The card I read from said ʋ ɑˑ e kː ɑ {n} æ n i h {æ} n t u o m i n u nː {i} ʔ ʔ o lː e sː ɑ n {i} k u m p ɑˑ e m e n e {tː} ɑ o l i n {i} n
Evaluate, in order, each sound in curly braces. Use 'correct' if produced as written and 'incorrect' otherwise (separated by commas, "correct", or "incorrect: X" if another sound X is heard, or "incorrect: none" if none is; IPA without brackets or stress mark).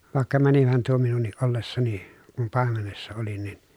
incorrect: m, correct, correct, correct, incorrect: sː, correct